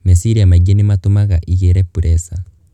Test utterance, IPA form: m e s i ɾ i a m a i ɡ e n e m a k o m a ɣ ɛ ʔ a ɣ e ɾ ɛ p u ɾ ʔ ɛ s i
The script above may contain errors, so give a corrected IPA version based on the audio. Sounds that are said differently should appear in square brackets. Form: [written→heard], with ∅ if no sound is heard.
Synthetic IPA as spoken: m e s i ɾ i a m a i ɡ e n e m a [k→t] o m a ɣ [ɛ→a] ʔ [a→i] ɣ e ɾ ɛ p u ɾ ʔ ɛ s [i→a]